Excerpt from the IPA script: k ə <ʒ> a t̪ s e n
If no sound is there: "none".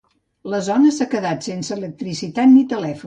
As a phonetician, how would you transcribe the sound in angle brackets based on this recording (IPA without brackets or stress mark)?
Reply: ð